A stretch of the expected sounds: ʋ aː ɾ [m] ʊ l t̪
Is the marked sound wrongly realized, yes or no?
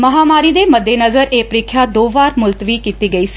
no